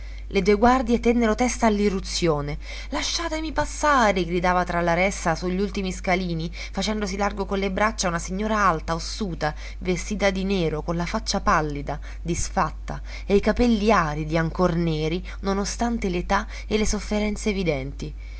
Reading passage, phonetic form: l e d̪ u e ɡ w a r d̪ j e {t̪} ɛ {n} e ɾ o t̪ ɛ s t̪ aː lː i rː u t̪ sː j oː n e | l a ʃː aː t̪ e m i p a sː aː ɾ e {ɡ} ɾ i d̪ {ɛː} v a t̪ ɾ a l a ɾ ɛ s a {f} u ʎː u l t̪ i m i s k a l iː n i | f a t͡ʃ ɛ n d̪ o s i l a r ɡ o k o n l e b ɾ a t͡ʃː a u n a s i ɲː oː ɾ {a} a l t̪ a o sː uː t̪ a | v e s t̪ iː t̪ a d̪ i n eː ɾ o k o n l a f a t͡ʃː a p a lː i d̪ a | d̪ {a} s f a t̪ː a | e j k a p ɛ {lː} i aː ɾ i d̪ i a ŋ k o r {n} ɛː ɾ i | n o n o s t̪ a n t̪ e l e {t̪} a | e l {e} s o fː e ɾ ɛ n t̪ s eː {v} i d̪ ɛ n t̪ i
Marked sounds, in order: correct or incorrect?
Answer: correct, incorrect, correct, incorrect, incorrect, correct, incorrect, correct, correct, correct, correct, correct

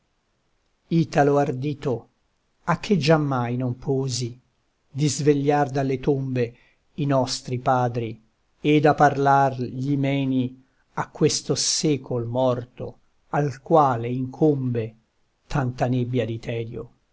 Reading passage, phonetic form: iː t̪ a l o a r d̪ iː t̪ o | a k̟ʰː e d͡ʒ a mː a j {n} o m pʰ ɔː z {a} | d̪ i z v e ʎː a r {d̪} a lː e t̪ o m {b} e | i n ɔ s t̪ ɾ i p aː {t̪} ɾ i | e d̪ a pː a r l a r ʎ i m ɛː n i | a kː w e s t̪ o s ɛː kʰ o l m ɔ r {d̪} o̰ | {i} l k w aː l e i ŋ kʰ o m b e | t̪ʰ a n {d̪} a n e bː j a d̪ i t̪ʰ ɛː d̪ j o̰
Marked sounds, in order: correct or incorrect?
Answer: correct, incorrect, correct, correct, incorrect, incorrect, incorrect, incorrect

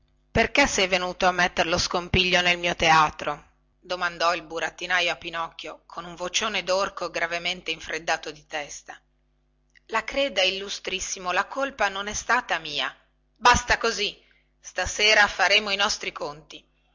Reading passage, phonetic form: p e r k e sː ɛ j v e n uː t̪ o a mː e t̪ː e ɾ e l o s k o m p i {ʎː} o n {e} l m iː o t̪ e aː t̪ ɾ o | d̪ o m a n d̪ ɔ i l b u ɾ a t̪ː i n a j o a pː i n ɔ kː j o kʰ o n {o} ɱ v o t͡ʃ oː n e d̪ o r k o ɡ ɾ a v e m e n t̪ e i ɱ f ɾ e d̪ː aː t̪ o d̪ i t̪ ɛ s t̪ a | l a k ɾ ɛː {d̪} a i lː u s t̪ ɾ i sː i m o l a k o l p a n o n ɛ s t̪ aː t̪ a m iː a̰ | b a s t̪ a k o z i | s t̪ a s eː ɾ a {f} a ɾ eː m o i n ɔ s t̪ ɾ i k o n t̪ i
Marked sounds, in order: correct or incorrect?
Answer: correct, correct, incorrect, correct, correct

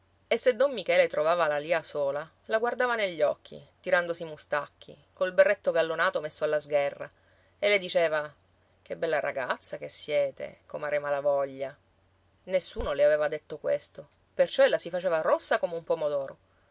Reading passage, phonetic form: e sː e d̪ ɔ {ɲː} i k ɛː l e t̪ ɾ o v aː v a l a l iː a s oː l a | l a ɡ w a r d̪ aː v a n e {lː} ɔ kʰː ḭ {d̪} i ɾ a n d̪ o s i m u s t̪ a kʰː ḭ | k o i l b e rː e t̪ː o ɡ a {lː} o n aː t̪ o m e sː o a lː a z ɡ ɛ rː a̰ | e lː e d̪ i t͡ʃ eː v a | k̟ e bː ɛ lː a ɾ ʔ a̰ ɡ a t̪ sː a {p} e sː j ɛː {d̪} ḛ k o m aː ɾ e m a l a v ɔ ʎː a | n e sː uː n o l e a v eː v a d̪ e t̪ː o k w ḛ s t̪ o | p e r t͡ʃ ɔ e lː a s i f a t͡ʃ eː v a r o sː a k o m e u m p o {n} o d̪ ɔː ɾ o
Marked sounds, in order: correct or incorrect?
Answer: incorrect, incorrect, incorrect, correct, incorrect, incorrect, incorrect

